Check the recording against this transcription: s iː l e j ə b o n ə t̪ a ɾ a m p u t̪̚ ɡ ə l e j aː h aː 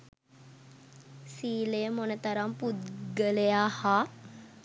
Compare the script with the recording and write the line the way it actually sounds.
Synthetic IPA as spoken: s iː l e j ə m o n ə t̪ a ɾ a m p u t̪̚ ɡ ə l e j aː h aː